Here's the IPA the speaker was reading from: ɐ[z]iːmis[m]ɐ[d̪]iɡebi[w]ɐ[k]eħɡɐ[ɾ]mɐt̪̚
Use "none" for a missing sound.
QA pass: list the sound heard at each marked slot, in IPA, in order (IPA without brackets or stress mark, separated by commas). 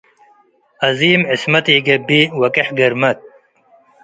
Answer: z, m, t̪, w, k, ɾ